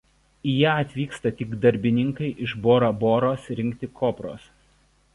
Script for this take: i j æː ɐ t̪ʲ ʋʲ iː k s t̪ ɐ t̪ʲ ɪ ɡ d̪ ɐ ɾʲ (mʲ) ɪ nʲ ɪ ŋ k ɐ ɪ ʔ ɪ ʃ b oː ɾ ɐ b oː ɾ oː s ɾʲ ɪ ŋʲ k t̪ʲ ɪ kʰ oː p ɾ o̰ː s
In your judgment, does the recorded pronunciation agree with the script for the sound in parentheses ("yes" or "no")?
no